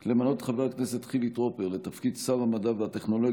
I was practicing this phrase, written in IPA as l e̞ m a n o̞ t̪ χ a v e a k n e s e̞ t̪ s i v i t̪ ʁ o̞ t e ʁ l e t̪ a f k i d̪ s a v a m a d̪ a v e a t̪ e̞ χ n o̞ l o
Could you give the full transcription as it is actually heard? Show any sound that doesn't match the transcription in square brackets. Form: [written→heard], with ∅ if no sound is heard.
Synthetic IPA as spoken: l e̞ m a n o̞ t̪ χ a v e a k n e s e̞ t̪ [s→χ] i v i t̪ ʁ o̞ [t→p] e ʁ l e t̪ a f k i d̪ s a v a m a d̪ a v e a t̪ e̞ χ n o̞ l o